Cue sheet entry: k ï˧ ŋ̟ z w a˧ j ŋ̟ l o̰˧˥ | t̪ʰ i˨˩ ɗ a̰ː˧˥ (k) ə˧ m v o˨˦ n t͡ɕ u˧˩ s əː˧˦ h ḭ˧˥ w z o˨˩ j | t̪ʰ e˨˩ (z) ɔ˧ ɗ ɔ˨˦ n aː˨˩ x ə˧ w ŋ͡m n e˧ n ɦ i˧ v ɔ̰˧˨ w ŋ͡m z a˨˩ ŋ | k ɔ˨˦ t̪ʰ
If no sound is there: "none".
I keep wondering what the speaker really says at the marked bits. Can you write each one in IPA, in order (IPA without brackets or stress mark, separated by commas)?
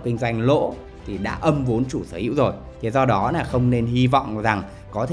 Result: ʔ, z